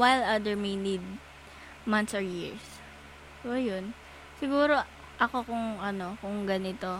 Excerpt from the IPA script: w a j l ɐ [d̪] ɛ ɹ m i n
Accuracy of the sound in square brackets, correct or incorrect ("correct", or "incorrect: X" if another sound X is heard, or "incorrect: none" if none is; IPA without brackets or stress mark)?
correct